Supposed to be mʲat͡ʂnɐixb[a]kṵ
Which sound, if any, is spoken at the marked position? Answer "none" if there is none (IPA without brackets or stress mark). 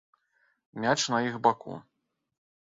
a